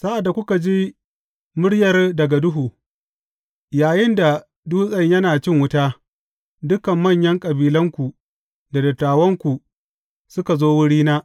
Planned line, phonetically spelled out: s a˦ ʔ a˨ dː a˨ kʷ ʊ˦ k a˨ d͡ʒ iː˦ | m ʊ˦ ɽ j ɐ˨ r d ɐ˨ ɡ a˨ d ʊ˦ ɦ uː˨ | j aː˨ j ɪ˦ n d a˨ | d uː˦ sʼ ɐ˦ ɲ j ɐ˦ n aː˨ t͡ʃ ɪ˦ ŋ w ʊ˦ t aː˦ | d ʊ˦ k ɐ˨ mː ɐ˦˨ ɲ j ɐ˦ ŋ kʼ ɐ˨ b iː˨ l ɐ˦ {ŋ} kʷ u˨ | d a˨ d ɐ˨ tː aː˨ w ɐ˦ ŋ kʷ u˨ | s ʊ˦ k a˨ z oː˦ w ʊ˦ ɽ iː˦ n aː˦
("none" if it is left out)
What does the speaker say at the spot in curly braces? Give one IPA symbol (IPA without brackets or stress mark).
ŋ